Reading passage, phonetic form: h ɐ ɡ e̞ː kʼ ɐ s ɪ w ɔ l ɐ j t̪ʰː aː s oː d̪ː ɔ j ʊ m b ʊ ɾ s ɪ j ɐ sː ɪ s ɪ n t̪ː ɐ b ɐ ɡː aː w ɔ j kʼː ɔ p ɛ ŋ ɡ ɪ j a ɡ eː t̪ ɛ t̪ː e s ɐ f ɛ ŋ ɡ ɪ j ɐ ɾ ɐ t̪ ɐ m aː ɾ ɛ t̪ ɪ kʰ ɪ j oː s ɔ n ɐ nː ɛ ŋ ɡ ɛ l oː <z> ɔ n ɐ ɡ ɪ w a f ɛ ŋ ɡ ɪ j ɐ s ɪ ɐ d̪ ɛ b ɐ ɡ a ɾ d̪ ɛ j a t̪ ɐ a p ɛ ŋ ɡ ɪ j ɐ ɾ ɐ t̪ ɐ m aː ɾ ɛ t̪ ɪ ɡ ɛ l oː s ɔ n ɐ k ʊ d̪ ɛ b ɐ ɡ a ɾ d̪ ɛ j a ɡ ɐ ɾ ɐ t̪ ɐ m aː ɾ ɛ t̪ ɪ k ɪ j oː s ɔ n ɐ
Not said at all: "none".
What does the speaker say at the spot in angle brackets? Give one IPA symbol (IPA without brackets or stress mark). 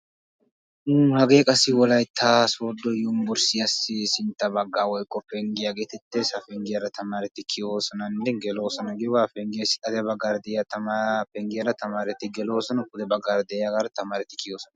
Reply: s